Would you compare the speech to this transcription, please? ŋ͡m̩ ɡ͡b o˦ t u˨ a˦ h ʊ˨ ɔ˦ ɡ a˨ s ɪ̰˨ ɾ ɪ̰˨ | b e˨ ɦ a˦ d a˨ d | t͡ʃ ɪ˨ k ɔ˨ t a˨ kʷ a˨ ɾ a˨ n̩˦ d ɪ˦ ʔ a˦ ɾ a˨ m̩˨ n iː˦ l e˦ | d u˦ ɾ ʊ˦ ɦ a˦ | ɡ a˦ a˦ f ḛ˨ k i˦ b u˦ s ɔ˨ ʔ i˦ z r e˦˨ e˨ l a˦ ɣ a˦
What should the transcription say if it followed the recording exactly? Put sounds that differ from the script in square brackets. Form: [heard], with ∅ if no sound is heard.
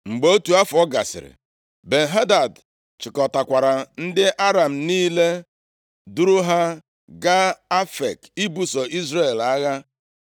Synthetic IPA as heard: ŋ͡m̩ ɡ͡b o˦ t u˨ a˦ [f] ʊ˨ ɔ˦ ɡ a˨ s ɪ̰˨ ɾ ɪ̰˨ | b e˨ ɦ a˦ d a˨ d | t͡ʃ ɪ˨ k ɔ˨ t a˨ kʷ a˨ ɾ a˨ n̩˦ d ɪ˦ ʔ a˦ ɾ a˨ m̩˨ n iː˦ l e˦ | d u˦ ɾ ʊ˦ ɦ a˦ | ɡ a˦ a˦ f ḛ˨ k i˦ b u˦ s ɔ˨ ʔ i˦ z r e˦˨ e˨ l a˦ ɣ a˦